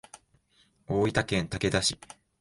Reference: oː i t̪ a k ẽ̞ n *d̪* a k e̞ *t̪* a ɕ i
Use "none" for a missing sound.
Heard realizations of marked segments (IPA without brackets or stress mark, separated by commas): t̪, d̪